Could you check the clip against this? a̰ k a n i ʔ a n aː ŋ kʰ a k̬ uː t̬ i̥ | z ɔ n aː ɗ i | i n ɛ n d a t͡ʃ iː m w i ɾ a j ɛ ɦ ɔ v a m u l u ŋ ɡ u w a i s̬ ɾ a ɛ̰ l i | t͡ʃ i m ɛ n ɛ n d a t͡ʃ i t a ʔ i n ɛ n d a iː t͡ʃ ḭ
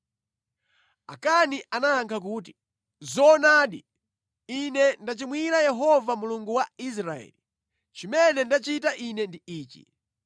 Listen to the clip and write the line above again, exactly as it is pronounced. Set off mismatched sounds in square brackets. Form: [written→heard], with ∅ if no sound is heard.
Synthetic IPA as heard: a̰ k a n i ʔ a n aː ŋ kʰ a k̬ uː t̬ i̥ | z ɔ n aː ɗ i | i n ɛ n d a t͡ʃ [iː→i] m w i ɾ a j ɛ ɦ ɔ v a m u l u ŋ ɡ u w a i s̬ ɾ a ɛ̰ l i | t͡ʃ i m ɛ n ɛ n d a t͡ʃ i t a ʔ i n ɛ n d [a→i] iː t͡ʃ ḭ